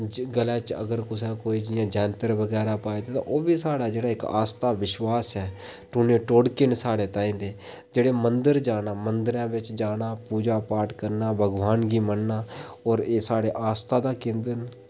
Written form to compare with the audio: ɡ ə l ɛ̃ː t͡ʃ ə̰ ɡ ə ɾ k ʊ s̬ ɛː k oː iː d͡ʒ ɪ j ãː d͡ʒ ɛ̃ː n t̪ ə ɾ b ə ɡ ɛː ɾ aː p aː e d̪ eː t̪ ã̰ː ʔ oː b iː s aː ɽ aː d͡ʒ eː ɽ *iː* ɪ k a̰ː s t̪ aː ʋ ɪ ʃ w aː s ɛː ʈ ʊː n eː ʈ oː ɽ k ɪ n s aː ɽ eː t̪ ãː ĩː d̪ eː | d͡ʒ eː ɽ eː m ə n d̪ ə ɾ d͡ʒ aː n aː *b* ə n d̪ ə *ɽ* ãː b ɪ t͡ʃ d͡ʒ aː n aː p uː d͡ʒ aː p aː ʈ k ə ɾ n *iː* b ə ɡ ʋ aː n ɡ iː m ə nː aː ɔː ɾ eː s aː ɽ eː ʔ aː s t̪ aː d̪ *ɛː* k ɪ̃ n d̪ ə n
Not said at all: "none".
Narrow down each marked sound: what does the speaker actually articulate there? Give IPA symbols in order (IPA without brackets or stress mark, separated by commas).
aː, m, ɾ, aː, aː